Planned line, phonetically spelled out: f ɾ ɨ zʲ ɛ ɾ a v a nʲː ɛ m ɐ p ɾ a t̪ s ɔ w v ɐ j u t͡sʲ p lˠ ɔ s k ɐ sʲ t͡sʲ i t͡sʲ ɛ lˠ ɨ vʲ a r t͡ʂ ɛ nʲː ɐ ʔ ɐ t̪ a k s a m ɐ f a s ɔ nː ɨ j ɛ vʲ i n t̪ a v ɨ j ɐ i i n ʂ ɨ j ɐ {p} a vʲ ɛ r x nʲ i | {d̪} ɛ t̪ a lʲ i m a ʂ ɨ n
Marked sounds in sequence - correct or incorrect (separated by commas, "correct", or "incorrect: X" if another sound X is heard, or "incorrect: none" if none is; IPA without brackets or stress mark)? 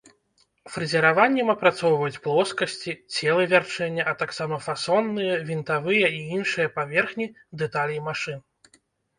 correct, correct